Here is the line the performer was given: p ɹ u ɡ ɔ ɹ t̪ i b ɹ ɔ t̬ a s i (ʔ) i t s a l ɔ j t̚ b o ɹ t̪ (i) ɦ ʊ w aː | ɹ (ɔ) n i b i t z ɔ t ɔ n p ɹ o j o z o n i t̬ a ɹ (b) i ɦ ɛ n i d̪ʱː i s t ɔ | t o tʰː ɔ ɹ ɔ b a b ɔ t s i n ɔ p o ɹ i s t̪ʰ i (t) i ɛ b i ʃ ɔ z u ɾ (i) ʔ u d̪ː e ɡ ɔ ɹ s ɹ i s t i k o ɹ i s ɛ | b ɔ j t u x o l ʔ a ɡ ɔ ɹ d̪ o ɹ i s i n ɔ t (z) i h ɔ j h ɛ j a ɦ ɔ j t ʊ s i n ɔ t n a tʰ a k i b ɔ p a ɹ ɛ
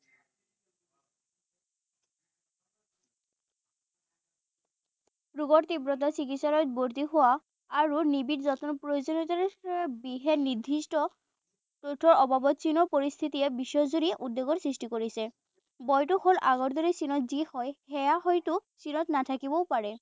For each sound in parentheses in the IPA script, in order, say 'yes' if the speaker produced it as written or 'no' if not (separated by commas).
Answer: no, yes, no, yes, yes, yes, yes